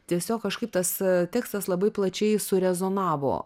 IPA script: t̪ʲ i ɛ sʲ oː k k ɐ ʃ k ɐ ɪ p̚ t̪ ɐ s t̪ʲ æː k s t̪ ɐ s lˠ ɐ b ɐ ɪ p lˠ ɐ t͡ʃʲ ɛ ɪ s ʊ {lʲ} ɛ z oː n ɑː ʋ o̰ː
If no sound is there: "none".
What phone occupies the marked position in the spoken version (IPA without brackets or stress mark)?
ɾʲ